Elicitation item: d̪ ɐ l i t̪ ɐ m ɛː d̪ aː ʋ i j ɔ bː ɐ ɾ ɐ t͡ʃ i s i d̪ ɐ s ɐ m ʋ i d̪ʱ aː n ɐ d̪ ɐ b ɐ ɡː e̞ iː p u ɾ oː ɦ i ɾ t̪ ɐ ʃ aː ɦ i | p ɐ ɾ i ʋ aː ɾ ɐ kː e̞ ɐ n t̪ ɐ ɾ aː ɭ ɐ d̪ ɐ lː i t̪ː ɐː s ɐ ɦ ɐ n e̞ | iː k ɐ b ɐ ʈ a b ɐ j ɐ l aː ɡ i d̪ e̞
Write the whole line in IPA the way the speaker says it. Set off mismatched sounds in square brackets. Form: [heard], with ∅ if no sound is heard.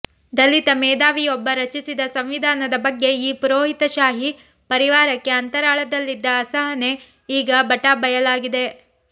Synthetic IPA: d̪ ɐ l i t̪ ɐ m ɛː d̪ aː ʋ i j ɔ bː ɐ ɾ ɐ t͡ʃ i s i d̪ ɐ s ɐ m ʋ i d̪ʱ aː n ɐ d̪ ɐ b ɐ ɡː e̞ iː p u ɾ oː ɦ i [∅] t̪ ɐ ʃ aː ɦ i | p ɐ ɾ i ʋ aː ɾ ɐ kː e̞ ɐ n t̪ ɐ ɾ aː ɭ ɐ d̪ ɐ lː i [d̪ː] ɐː s ɐ ɦ ɐ n e̞ | iː [ɡ] ɐ b ɐ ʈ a b ɐ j ɐ l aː ɡ i d̪ e̞